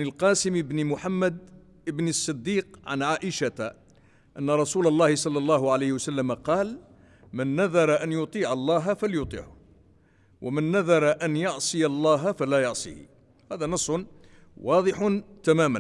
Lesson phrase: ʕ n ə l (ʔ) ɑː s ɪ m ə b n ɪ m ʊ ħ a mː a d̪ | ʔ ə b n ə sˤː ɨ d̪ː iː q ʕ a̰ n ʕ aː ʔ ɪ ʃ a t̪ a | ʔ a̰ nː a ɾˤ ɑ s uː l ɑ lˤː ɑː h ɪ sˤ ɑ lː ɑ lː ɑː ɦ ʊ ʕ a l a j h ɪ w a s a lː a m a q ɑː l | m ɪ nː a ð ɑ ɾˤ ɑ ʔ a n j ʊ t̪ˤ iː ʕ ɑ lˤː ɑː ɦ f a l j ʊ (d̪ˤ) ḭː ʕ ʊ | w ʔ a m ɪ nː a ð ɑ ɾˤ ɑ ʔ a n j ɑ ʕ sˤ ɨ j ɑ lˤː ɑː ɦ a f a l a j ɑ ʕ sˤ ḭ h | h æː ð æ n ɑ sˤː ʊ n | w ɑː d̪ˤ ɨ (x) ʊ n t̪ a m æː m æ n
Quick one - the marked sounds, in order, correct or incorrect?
incorrect: q, incorrect: t̪ˤ, incorrect: ħ

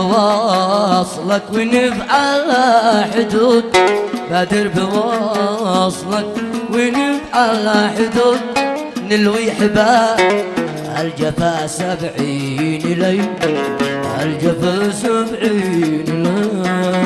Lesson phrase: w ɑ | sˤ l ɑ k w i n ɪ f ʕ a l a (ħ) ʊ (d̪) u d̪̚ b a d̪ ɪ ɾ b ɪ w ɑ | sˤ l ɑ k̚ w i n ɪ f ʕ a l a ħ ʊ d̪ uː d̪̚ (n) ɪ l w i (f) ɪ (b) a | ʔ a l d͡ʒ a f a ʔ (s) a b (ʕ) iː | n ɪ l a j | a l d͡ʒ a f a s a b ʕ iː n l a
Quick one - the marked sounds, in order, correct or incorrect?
correct, correct, correct, incorrect: ħ, correct, correct, correct

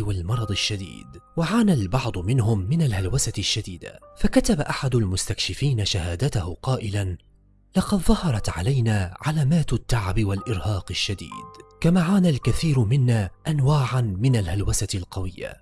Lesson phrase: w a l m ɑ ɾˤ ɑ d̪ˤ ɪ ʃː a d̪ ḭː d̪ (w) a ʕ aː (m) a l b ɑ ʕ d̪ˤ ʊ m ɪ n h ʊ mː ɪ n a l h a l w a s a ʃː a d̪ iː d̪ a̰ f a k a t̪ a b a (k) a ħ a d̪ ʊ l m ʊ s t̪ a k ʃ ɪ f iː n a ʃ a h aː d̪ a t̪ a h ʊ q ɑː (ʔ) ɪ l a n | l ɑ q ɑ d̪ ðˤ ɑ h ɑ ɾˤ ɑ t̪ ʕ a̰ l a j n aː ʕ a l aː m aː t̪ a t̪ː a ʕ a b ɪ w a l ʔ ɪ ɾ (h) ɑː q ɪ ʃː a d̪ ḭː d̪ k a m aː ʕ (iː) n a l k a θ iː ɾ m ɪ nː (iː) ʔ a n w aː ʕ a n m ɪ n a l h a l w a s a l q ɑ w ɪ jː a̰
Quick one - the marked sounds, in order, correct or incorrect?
correct, incorrect: n, incorrect: ʔ, correct, correct, incorrect: aː, incorrect: aː

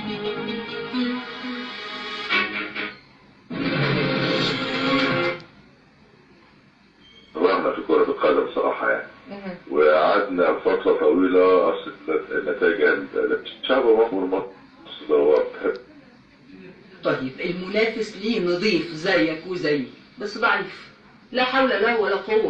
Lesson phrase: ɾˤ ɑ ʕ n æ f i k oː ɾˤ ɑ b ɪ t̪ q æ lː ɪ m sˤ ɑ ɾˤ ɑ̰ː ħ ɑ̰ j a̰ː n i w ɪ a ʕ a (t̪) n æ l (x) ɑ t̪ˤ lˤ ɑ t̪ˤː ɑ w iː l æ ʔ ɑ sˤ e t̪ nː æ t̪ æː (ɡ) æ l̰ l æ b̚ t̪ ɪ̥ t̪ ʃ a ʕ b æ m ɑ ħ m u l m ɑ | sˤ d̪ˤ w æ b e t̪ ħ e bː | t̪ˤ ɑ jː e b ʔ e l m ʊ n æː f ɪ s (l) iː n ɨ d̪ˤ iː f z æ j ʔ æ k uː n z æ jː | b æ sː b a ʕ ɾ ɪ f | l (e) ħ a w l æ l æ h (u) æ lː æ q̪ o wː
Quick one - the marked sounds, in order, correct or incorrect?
incorrect: d̪, incorrect: f, correct, correct, incorrect: æ, incorrect: w

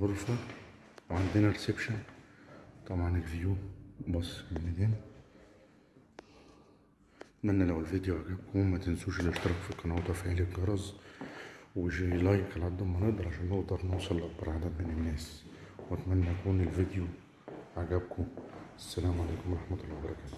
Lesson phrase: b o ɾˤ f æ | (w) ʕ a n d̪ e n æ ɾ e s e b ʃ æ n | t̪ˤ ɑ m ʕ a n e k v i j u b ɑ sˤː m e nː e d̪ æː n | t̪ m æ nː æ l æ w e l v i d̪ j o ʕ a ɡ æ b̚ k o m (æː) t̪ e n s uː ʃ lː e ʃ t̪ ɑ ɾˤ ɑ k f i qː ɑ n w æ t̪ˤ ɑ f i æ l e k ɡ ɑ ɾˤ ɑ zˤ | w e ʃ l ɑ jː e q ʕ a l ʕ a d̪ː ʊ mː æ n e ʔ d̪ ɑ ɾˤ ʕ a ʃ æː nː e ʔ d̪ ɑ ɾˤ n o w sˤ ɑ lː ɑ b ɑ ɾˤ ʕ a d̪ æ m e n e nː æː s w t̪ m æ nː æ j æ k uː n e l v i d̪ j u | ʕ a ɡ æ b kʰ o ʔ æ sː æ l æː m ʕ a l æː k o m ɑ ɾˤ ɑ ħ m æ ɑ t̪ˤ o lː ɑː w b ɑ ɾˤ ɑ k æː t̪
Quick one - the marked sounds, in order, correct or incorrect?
correct, incorrect: æ

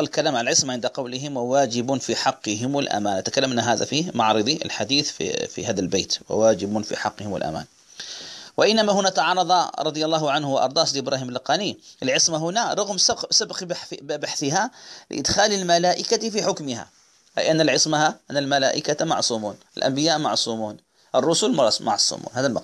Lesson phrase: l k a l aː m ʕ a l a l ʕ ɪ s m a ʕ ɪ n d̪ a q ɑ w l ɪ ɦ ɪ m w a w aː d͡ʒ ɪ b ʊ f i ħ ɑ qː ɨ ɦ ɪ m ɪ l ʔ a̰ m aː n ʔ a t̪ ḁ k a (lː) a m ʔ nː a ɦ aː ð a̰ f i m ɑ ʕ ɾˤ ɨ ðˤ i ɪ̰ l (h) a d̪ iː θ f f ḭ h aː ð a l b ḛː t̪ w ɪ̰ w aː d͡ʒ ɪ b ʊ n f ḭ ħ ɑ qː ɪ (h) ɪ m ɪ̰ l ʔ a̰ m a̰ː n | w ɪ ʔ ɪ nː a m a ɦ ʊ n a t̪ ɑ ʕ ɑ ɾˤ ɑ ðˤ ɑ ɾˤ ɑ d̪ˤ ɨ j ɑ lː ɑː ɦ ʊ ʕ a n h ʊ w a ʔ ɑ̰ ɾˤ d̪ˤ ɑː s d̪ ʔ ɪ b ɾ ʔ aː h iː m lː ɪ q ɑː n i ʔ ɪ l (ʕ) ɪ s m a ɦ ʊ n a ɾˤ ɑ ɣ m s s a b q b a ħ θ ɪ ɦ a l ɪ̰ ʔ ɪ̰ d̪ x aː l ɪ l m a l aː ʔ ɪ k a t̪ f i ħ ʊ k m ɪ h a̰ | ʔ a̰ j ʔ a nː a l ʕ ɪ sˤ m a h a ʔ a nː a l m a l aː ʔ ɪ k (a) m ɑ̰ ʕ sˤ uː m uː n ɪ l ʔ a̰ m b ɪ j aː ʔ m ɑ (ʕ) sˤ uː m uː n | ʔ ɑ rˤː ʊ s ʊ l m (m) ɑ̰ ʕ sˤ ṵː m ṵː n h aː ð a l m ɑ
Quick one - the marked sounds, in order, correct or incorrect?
correct, incorrect: ħ, correct, correct, correct, correct, correct

